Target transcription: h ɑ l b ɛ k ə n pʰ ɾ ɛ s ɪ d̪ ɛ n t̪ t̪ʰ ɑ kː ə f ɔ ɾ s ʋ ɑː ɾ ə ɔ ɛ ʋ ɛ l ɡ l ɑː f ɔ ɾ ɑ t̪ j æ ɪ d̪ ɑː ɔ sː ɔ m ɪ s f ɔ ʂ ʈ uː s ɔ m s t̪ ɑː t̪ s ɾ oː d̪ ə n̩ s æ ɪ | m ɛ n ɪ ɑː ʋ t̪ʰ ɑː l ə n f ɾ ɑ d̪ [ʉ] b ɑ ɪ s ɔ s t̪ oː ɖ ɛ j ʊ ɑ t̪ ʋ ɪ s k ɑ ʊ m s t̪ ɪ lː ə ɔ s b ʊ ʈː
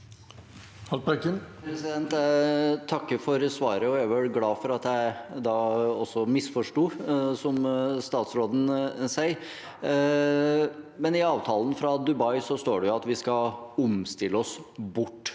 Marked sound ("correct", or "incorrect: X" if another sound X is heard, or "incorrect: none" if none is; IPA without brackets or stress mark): correct